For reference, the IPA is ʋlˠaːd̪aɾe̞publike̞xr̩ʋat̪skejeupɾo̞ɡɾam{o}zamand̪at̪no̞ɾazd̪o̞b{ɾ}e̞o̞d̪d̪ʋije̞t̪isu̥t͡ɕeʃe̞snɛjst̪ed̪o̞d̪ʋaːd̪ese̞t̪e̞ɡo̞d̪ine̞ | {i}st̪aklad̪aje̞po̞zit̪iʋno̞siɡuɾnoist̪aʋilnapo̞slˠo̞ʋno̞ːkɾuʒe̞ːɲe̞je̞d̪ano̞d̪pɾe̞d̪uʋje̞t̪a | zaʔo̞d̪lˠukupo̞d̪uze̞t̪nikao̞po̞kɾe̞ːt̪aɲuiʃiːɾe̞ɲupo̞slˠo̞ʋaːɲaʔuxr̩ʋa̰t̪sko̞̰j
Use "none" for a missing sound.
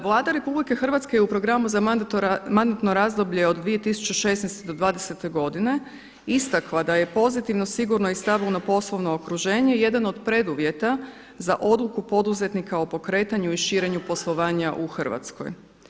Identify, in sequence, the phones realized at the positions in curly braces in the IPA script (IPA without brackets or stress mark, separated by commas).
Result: u, ʎ, i